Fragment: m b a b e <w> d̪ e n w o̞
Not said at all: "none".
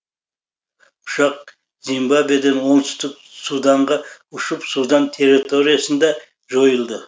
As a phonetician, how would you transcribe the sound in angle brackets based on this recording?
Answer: none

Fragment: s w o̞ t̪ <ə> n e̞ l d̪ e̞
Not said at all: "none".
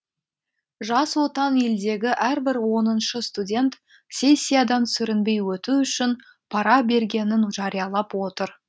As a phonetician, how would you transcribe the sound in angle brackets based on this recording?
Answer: ɑ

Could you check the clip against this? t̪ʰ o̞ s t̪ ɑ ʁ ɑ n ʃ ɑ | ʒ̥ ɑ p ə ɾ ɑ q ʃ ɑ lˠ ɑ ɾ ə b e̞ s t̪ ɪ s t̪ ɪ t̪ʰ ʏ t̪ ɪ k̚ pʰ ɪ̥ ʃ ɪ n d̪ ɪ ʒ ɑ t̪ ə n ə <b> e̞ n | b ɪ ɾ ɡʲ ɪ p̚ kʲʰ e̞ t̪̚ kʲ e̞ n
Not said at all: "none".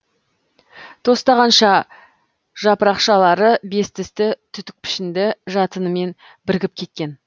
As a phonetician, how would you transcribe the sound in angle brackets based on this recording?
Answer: m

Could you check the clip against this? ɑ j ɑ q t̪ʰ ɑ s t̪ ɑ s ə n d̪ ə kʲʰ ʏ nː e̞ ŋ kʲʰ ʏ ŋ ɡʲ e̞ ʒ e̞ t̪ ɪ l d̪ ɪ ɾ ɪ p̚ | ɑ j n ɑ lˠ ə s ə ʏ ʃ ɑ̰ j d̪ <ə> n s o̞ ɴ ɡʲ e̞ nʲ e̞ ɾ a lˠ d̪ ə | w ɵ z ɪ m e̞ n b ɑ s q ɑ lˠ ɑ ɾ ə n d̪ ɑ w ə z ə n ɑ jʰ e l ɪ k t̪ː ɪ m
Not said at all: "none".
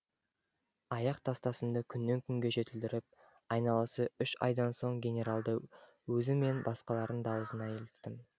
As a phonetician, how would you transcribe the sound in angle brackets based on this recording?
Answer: ɑ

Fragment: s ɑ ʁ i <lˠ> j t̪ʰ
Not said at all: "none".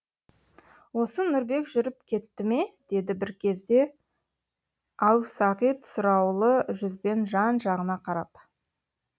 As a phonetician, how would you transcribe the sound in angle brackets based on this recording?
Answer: none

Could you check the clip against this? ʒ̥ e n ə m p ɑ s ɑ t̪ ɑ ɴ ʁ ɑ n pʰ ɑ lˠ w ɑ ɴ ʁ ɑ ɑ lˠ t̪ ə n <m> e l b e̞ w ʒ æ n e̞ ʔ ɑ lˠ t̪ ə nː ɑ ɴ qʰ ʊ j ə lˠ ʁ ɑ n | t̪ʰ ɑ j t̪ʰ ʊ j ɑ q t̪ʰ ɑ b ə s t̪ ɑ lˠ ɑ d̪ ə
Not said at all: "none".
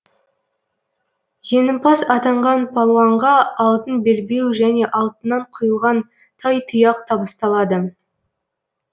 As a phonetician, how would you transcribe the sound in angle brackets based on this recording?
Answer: b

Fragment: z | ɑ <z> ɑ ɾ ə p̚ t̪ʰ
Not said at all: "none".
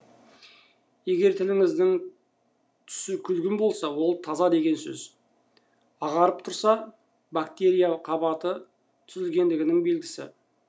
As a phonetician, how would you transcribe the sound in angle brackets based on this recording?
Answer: ʁ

